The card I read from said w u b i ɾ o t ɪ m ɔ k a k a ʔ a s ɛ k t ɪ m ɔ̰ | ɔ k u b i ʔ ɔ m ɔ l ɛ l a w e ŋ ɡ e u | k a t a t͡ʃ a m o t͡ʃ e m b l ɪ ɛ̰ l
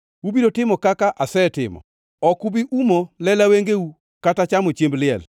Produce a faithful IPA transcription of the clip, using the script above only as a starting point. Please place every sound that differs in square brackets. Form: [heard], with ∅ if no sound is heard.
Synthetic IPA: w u b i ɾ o t ɪ m ɔ k a k a ʔ a s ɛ [∅] t ɪ m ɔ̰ | ɔ k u b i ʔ [u] m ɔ l ɛ l a w e ŋ ɡ e u | k a t a t͡ʃ a m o t͡ʃ e m b l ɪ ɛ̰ l